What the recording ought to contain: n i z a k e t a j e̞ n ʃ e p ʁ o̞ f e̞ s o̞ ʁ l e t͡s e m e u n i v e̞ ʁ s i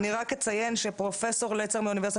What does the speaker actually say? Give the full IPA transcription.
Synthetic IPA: n i ʁ a k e t͡s a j e̞ n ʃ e p ʁ o̞ f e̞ s o̞ ʁ l e t͡s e m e u n i v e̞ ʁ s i